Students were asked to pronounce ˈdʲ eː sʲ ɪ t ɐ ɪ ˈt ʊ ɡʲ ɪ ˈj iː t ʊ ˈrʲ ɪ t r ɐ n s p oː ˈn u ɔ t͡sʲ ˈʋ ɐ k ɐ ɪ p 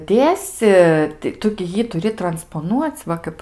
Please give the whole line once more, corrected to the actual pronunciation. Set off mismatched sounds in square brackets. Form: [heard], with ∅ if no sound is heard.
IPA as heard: ˈdʲ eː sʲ ɪ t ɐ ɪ ˈt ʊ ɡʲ ɪ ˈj iː t ʊ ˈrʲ ɪ t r ɐ n s p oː ˈn u ɔ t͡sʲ ˈʋ ɐ k ɐ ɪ p